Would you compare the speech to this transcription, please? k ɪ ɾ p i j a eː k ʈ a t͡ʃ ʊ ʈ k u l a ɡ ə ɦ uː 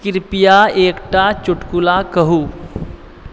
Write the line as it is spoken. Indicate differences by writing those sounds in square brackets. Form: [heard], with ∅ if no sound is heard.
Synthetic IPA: k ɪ ɾ p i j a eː k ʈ a t͡ʃ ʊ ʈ k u l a [k] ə ɦ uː